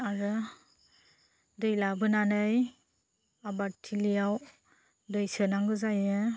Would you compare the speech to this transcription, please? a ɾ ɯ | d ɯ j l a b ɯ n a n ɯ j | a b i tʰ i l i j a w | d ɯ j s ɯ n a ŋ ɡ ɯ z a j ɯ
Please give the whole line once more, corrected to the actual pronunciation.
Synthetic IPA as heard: a ɾ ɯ | d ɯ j l a b ɯ n a n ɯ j | a b a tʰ i l i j a w | d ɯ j s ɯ n a ŋ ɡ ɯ z a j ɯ